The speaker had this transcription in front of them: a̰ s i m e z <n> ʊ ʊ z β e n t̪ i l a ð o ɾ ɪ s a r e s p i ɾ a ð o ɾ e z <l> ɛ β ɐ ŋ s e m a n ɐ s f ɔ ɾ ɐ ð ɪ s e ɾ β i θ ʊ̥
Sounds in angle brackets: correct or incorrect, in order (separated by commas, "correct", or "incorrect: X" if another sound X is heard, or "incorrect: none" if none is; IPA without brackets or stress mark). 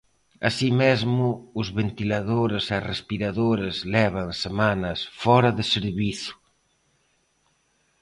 incorrect: m, correct